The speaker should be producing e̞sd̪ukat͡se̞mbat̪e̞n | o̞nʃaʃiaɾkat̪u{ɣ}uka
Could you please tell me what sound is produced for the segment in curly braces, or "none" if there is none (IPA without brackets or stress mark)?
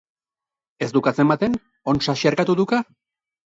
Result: ð